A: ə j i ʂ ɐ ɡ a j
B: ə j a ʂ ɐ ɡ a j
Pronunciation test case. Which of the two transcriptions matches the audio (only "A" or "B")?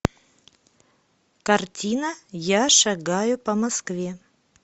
B